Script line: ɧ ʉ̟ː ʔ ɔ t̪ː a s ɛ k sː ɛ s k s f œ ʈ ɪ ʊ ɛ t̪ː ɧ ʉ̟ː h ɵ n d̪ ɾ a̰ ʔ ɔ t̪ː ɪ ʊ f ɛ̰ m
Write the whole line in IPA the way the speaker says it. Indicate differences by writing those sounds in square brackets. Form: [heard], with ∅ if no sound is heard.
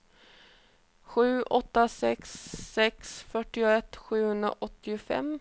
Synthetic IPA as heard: ɧ ʉ̟ː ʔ ɔ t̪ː a s ɛ k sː ɛ [∅] k s f œ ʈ ɪ ʊ ɛ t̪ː ɧ ʉ̟ː h ɵ n d̪ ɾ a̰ ʔ ɔ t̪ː ɪ ʊ f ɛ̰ m